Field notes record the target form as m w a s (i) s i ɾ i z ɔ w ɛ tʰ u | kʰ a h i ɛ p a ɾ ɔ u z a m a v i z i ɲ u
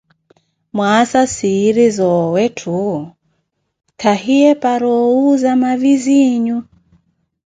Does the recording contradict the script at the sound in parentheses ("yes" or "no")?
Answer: yes